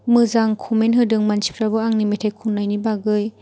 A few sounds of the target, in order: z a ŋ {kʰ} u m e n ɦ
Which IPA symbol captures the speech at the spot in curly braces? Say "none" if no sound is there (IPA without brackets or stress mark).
kʰ